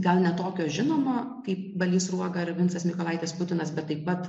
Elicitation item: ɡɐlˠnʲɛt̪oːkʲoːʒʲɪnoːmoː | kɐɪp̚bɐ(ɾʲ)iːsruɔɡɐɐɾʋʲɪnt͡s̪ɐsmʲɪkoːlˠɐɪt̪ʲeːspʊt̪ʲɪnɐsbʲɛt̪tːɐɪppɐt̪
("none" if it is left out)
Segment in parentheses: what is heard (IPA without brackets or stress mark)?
lʲ